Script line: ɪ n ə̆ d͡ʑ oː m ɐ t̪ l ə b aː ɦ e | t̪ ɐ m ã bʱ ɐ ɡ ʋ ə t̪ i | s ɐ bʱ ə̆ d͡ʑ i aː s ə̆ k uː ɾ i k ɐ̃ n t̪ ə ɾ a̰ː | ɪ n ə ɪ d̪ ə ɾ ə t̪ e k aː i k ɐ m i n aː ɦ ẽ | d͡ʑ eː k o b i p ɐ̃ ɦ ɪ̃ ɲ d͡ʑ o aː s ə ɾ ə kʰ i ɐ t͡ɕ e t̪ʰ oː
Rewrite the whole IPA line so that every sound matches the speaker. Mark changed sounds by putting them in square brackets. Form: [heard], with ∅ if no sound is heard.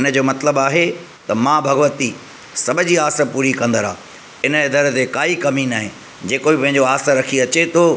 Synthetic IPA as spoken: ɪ n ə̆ d͡ʑ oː m ɐ t̪ l ə b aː ɦ e | t̪ ɐ m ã bʱ ɐ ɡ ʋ ə t̪ i | s ɐ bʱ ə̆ d͡ʑ i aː s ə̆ [p] uː ɾ i k ɐ̃ n [d̪] ə ɾ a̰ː | ɪ n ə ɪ d̪ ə ɾ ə t̪ e k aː i k ɐ m i n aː ɦ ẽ | d͡ʑ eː k o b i p ɐ̃ ɦ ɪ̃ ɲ d͡ʑ o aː s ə ɾ [ɐ] kʰ i ɐ t͡ɕ e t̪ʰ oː